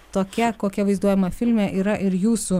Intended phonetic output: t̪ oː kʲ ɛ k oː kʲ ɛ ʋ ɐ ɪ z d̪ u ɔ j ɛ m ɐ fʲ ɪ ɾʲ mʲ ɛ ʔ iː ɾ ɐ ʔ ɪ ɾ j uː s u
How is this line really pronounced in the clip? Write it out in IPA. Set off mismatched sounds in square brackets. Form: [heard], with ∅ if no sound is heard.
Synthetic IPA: t̪ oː kʲ ɛ k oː kʲ ɛ ʋ ɐ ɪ z d̪ u ɔ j ɛ m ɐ fʲ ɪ [lʲ] mʲ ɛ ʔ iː ɾ ɐ ʔ ɪ ɾ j uː s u